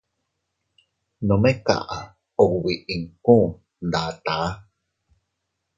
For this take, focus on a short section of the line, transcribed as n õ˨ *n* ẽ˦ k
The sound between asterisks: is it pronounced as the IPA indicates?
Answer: no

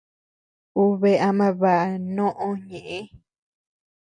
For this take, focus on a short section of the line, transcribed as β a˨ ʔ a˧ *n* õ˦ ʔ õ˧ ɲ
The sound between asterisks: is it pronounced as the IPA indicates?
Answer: yes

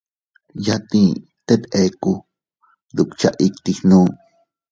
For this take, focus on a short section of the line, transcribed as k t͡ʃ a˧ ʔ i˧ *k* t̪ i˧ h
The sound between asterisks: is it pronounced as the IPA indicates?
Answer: yes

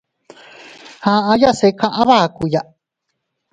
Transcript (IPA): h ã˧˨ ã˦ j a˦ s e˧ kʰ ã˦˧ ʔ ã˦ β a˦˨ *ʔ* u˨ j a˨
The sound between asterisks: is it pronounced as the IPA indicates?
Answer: no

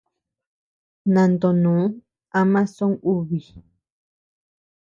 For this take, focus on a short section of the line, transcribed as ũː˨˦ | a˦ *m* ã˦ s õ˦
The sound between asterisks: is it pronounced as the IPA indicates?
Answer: yes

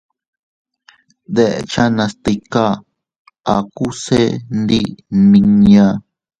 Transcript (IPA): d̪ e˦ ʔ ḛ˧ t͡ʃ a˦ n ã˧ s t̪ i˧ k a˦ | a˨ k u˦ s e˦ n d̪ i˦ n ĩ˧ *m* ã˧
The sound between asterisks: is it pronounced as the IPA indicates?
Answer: no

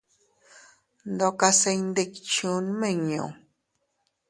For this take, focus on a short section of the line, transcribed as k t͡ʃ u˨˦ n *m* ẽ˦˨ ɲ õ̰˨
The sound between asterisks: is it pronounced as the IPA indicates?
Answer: yes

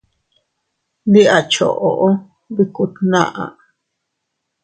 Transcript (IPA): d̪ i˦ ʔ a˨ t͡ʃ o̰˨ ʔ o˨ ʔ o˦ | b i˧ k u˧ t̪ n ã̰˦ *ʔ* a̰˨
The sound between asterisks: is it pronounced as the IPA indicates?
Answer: yes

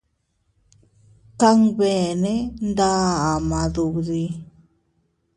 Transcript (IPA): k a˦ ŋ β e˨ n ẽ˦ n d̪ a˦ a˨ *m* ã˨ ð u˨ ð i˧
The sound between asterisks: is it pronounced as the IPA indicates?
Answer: yes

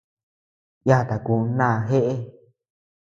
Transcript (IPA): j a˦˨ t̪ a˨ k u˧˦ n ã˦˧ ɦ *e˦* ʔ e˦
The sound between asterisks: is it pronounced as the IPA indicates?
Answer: yes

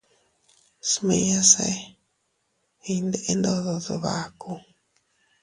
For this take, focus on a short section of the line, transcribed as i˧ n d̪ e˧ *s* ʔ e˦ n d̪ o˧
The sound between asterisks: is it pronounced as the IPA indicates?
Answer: no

